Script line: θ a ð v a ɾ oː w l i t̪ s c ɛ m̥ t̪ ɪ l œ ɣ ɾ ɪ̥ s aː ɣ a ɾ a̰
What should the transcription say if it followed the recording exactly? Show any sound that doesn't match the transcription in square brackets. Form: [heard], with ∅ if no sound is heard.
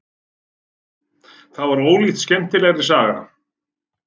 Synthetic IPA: θ a ð v a ɾ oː w l i t̪ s c ɛ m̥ t̪ ɪ l [ɛ] ɣ ɾ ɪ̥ s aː ɣ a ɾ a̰